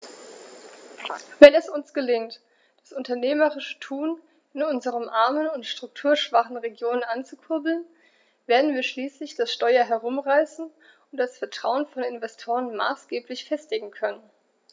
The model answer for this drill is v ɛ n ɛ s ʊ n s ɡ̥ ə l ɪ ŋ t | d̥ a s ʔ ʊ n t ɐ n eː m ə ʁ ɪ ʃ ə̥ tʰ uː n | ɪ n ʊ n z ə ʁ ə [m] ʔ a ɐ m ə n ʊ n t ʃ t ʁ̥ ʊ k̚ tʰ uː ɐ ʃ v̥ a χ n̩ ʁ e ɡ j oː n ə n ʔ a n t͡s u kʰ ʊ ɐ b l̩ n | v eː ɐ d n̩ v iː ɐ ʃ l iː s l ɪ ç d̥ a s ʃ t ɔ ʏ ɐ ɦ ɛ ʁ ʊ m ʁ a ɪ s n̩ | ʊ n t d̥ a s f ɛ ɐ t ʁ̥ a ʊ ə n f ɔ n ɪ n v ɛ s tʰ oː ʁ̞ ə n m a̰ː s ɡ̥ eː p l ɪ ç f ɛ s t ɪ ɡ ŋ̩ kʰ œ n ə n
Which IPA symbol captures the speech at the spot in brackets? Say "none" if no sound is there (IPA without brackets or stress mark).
m